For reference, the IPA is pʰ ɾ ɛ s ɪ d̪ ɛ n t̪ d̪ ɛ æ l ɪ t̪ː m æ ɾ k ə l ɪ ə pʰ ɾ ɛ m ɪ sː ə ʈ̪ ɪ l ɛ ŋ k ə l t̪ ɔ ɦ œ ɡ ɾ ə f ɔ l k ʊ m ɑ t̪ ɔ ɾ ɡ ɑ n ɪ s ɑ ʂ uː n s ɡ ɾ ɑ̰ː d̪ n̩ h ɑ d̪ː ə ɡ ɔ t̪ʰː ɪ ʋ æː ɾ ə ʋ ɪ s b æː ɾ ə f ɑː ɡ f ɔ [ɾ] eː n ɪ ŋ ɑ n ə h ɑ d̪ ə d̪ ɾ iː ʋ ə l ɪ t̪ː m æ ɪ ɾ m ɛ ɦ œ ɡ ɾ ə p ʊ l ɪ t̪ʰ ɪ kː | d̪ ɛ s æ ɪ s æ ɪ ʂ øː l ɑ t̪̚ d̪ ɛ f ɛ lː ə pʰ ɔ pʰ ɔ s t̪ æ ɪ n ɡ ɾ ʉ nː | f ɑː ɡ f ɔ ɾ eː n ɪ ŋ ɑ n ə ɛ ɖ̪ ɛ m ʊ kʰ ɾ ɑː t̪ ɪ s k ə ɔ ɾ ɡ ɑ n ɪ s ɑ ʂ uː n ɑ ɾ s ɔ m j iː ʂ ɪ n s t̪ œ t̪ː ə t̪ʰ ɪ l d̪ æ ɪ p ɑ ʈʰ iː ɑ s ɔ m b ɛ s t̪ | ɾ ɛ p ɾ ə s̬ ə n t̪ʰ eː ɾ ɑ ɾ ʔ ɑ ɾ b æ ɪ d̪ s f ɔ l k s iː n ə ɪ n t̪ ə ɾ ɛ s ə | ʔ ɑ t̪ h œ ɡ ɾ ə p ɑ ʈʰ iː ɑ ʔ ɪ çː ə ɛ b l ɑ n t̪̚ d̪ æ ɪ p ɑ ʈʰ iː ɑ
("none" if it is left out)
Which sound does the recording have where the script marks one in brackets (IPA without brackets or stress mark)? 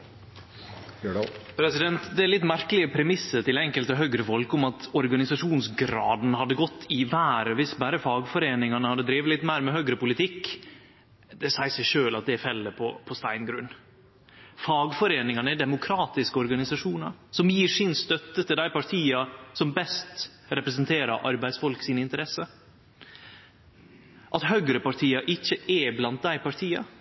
ɾ